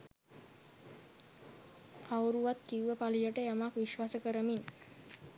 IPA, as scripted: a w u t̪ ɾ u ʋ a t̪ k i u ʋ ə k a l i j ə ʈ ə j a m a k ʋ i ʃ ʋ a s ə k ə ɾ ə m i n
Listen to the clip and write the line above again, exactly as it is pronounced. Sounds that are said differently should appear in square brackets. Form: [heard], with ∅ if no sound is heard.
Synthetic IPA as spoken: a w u [∅] ɾ u ʋ a t̪ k i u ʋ ə [p] a l i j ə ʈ ə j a m a k ʋ i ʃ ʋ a s ə k ə ɾ ə m i n